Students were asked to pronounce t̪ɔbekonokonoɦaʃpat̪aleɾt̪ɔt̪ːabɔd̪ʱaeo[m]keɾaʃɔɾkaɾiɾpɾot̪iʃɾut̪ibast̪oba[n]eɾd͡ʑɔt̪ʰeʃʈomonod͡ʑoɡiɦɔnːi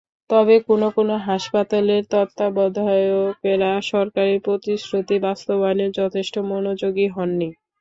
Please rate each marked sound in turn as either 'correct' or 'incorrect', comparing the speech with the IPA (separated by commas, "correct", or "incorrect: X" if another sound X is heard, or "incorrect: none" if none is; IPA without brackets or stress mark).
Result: incorrect: none, correct